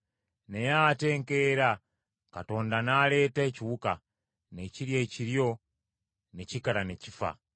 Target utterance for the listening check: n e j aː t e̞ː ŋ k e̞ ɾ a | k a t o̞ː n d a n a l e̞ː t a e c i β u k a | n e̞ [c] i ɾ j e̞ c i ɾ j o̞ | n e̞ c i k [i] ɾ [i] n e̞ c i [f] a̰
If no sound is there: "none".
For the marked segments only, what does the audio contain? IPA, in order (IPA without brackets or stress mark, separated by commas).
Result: c, a, a, f